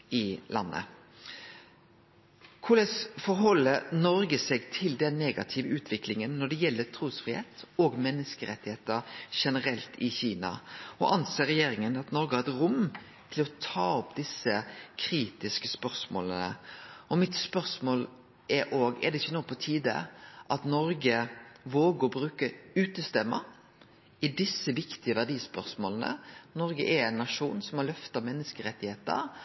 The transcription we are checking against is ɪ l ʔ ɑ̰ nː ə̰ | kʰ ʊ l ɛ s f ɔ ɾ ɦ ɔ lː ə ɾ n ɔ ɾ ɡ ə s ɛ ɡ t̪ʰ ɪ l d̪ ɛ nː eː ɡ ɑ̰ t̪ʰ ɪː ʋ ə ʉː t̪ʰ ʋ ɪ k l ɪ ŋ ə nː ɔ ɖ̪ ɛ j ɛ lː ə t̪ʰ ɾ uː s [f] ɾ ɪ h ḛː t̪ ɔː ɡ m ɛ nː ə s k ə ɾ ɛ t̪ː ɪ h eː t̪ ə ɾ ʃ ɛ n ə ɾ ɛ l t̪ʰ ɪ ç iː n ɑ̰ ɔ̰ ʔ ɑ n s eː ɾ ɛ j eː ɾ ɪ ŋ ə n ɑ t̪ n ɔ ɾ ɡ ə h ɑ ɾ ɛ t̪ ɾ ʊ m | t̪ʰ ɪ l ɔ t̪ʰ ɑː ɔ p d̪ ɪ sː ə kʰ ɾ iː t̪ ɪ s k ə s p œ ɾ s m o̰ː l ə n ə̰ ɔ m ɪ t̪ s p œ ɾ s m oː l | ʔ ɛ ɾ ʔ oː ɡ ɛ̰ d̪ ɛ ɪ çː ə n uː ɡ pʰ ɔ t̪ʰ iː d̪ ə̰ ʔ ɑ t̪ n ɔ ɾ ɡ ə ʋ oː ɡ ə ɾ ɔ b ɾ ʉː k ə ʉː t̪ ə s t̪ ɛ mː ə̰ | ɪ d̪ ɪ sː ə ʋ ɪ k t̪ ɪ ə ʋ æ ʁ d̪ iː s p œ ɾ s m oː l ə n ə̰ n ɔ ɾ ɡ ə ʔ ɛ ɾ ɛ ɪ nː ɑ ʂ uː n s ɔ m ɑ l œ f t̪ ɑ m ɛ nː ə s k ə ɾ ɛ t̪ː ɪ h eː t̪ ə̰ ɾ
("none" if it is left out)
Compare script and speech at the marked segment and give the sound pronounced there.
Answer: f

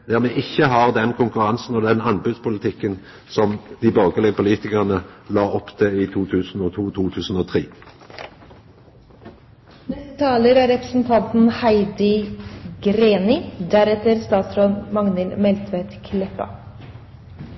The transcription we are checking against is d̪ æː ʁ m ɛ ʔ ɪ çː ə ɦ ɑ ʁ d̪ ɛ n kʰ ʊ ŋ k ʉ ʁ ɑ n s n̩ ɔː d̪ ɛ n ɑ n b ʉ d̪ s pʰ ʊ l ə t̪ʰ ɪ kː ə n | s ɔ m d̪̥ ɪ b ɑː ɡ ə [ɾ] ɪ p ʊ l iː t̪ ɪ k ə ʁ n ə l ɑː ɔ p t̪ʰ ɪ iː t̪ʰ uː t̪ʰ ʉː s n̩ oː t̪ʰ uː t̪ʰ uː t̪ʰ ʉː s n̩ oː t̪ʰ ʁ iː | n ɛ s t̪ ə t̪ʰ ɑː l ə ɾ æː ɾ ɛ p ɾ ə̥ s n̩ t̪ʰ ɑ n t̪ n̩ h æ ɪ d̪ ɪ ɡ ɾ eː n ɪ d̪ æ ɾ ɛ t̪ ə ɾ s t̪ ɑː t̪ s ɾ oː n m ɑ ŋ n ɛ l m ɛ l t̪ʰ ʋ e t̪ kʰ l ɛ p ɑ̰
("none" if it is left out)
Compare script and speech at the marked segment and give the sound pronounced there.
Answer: l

